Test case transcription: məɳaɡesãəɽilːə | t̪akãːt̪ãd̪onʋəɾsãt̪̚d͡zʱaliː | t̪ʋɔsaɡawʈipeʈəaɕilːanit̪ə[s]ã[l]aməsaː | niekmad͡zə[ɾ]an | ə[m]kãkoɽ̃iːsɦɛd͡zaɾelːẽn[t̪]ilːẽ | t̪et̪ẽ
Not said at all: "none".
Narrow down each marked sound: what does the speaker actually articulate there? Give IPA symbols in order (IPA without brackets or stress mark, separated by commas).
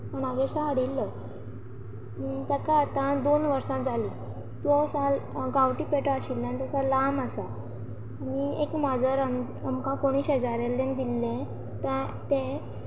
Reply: s, l, ɾ, m, d̪